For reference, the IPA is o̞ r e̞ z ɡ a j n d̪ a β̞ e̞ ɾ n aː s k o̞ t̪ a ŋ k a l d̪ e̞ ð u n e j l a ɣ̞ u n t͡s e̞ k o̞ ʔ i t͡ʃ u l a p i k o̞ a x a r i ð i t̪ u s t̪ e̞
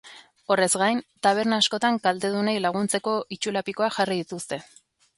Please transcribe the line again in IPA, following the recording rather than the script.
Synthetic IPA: o̞ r e̞ z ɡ a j n t̪ a β̞ e̞ ɾ n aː s k o̞ t̪ a ŋ k a l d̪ e̞ ð u n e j l a ɣ̞ u n t͡s e̞ k o̞ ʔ i t͡ʃ u l a p i k o̞ a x a r i ð i t̪ u s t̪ e̞